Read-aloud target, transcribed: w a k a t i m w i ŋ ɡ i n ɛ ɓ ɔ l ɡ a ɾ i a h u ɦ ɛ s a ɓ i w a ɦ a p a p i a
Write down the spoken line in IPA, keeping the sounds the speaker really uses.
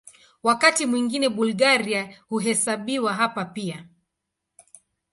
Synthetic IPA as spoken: w a k a t i m w i ŋ ɡ i n ɛ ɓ u l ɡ a ɾ i a h u ɦ ɛ s a ɓ i w a ɦ a p a p i a